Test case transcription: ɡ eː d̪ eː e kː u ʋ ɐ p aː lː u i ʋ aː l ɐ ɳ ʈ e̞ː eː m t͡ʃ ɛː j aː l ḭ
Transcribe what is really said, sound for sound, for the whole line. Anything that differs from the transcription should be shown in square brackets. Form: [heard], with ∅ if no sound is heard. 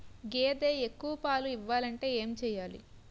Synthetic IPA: ɡ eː d̪ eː e kː u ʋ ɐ p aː [l] u i [ʋː] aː l ɐ ɳ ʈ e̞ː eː m t͡ʃ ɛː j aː l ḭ

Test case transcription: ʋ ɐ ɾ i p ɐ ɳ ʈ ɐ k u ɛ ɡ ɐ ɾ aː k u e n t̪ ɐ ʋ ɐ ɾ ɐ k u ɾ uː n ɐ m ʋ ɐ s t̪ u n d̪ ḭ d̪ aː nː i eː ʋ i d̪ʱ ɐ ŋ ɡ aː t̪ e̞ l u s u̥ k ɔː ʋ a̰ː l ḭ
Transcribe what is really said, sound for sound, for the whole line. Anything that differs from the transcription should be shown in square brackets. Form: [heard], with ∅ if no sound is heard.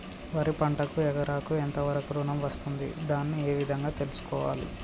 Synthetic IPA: ʋ ɐ ɾ i p ɐ ɳ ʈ ɐ k u ɛ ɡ ɐ ɾ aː k u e n t̪ ɐ ʋ ɐ ɾ ɐ k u ɾ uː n ɐ m ʋ ɐ s t̪ u n d̪ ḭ d̪ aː nː i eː ʋ i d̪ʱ ɐ ŋ ɡ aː t̪ e̞ l u s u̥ k ɔː ʋ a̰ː l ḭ

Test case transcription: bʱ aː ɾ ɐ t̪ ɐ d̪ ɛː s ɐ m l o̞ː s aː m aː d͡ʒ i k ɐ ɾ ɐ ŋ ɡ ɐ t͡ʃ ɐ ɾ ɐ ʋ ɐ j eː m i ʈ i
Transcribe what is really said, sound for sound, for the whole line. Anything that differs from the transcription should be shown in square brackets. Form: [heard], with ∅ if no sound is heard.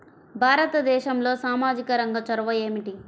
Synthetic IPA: bʱ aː ɾ ɐ t̪ ɐ d̪ ɛː [ʃ] ɐ m l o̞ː s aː m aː d͡ʒ i k ɐ ɾ ɐ ŋ ɡ ɐ t͡ʃ ɐ ɾ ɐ ʋ ɐ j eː m i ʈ i

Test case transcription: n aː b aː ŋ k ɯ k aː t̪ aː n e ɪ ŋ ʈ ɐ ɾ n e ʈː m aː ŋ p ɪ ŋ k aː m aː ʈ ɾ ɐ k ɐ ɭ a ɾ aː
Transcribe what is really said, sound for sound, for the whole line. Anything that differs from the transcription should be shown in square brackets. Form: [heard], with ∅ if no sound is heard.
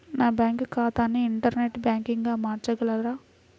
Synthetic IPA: n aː b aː ŋ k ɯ k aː t̪ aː n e ɪ [ɳ] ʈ ɐ ɾ n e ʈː [b] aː ŋ [k] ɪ ŋ [ɡ] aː m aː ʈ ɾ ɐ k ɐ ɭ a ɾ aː

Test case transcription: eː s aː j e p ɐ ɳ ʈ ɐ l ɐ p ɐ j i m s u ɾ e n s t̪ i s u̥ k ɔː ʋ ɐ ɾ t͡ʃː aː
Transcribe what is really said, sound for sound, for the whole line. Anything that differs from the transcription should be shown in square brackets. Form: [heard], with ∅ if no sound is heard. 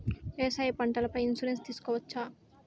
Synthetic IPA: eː s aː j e p ɐ ɳ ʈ ɐ l ɐ p ɐ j i [n] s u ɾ e n s t̪ [iː] s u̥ k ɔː ʋ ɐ [∅] t͡ʃː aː

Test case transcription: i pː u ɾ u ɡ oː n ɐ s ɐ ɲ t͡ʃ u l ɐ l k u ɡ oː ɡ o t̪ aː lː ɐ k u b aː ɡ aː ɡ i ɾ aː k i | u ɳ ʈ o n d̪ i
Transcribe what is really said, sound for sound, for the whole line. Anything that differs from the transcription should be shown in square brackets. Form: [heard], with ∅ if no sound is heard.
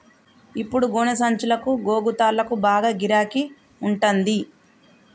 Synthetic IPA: i pː u [ɽ] u ɡ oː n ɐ s ɐ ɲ t͡ʃ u l ɐ [∅] k u ɡ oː ɡ [u] t̪ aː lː ɐ k u b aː ɡ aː ɡ i ɾ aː k i | u ɳ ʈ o n d̪ i

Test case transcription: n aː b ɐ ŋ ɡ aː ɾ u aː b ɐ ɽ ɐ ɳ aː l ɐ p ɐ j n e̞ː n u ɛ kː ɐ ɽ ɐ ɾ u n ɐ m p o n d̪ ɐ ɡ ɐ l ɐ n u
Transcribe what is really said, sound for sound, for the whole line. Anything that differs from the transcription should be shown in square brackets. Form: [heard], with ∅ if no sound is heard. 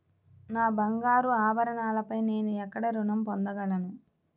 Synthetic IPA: n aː b ɐ ŋ ɡ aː ɾ u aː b ɐ [ɾ] ɐ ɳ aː l ɐ p ɐ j n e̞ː n u ɛ kː ɐ ɽ ɐ ɾ u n ɐ m p o n d̪ ɐ ɡ ɐ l ɐ n u

